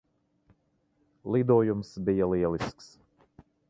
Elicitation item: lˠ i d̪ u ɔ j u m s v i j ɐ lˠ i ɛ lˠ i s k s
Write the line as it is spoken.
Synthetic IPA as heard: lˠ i d̪ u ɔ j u m s b i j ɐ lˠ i ɛ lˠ i s k s